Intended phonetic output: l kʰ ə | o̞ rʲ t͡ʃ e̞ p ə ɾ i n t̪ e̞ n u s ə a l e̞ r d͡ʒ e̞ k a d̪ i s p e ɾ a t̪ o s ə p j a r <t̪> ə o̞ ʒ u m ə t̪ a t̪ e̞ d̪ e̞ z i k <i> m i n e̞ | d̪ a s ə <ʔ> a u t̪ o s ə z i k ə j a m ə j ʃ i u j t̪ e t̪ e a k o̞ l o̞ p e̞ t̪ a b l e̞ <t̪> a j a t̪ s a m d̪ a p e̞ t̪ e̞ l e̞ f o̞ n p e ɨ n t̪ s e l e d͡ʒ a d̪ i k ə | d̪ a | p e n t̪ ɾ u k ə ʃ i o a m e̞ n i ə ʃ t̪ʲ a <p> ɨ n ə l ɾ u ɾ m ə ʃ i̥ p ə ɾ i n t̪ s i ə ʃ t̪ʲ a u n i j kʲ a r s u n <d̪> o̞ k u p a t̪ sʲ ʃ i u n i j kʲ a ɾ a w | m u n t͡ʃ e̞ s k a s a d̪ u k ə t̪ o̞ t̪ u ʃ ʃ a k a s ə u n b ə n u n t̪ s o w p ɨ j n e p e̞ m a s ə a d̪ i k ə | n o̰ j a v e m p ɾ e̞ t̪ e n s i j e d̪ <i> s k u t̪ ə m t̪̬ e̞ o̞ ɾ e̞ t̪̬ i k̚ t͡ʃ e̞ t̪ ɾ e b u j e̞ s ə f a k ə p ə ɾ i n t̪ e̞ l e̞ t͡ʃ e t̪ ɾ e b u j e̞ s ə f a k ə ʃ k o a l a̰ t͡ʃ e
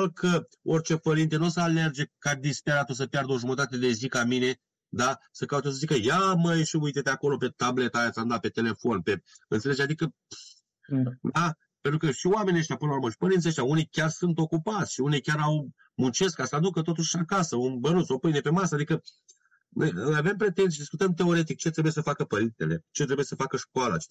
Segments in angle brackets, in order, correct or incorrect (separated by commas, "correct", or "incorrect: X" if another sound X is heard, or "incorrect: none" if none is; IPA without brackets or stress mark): incorrect: d̪, incorrect: a, incorrect: k, correct, correct, incorrect: t̪, correct